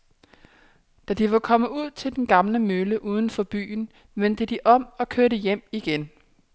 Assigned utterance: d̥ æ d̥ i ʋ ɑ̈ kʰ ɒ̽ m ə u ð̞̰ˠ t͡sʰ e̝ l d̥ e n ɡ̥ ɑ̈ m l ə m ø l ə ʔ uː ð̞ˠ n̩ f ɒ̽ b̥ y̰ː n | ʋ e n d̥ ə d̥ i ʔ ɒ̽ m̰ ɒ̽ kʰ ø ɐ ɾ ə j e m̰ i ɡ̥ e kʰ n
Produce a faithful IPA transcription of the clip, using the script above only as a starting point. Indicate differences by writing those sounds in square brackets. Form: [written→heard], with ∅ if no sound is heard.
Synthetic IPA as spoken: d̥ æ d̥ i ʋ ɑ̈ kʰ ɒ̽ m ə u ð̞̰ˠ t͡sʰ e̝ l d̥ e n ɡ̥ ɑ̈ m l ə m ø l ə ʔ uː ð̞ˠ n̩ f ɒ̽ b̥ y̰ː n | ʋ e n d̥ ə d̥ i ʔ ɒ̽ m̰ ɒ̽ kʰ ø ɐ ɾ ə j e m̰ i ɡ̥ e [kʰ→∅] n